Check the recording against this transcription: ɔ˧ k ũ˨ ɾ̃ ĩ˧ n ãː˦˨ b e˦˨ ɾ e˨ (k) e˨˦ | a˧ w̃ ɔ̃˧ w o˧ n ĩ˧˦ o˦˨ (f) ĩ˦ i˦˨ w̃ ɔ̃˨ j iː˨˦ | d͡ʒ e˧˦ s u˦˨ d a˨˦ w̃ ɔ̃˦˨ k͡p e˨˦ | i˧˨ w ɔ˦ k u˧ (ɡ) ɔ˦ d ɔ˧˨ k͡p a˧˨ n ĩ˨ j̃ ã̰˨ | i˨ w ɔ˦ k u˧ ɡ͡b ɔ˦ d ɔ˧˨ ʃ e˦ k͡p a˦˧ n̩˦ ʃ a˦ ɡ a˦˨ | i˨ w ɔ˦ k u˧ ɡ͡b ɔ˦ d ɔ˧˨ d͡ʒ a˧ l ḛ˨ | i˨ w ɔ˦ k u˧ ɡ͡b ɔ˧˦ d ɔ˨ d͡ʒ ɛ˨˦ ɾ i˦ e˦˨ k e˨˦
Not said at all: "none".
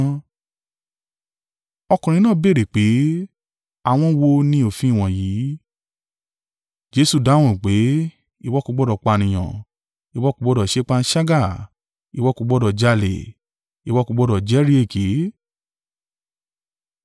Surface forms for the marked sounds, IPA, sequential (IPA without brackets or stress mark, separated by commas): k͡p, f, ɡ͡b